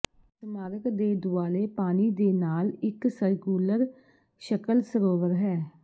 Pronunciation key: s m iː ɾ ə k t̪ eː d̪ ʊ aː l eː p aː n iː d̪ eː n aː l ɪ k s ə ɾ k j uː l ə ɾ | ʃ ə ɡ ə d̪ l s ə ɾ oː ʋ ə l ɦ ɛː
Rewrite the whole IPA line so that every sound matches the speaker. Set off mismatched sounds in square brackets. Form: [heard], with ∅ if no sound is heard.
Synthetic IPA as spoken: s m [aː] ɾ ə k [d̪] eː d̪ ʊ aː l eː p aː n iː d̪ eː n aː l ɪ k s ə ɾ k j uː l ə ɾ | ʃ ə [k] ə [∅] l s ə ɾ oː ʋ ə [ɾ] ɦ ɛː